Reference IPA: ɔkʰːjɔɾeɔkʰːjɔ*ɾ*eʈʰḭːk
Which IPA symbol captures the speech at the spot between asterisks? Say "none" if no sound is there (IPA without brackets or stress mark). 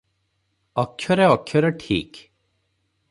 ɾ